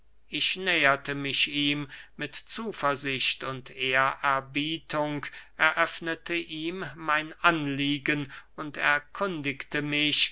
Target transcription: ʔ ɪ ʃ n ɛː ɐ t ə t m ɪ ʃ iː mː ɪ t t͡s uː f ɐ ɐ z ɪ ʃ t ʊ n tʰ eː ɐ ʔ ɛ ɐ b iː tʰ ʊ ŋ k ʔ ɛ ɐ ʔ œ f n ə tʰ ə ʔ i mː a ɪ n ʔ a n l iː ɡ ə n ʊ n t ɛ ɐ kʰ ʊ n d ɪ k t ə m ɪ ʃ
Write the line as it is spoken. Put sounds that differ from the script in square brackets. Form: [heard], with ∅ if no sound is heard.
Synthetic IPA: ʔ ɪ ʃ n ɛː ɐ t ə [∅] m ɪ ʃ iː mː ɪ t t͡s uː f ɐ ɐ z ɪ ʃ t ʊ n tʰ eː ɐ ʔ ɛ ɐ b iː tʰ ʊ ŋ k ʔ ɛ ɐ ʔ œ f n ə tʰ ə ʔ [iː] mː a ɪ n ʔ a n l iː ɡ ə n ʊ n t ɛ ɐ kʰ ʊ n d ɪ k t ə m ɪ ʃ